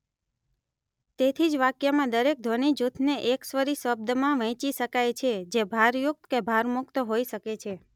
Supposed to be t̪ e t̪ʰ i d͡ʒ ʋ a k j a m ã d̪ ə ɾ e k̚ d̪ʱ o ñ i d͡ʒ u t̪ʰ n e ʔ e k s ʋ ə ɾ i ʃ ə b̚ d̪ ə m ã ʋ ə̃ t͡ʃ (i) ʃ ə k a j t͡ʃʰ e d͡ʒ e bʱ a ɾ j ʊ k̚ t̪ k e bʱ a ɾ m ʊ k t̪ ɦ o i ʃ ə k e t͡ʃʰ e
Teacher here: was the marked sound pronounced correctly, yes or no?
yes